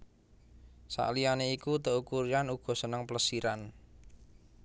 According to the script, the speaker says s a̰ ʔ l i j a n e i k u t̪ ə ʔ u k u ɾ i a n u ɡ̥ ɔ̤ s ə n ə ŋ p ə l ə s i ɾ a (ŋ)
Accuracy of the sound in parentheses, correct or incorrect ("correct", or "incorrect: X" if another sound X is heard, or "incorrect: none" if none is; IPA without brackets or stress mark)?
incorrect: n